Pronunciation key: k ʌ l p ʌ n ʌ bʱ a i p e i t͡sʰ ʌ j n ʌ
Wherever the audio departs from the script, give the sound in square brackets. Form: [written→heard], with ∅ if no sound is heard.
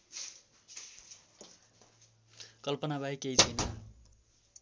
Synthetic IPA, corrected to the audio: k ʌ l p ʌ n [ʌ→a] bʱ a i [p→k] e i t͡sʰ ʌ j n ʌ